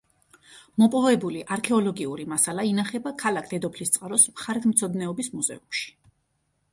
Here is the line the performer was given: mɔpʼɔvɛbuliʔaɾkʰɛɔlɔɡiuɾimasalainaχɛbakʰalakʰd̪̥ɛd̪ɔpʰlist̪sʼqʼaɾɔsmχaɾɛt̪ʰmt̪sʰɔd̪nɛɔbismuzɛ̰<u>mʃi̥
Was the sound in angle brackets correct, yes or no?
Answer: yes